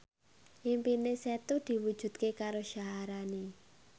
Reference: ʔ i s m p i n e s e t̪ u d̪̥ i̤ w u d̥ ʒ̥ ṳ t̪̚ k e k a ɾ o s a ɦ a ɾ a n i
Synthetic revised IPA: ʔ i m p i n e s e t̪ u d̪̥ i̤ w u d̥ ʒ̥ ṳ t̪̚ k e k a ɾ o ʃ a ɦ a ɾ a n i